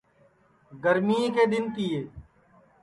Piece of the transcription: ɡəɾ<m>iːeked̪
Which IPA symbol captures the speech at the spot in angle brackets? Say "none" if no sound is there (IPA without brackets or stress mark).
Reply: m